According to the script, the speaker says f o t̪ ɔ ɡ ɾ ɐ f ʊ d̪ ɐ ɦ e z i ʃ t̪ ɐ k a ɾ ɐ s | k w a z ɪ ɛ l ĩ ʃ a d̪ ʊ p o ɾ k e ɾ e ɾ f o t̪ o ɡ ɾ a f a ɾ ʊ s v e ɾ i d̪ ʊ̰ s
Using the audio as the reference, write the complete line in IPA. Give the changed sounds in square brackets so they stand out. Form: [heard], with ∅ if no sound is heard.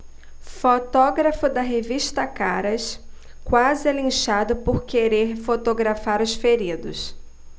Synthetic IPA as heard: f o t̪ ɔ ɡ ɾ ɐ f ʊ d̪ ɐ ɦ e [v] i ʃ t̪ ɐ k a ɾ ɐ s | k w a z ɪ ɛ l ĩ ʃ a d̪ ʊ p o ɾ k e ɾ e ɾ f o t̪ o ɡ ɾ a f a ɾ ʊ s [f] e ɾ i d̪ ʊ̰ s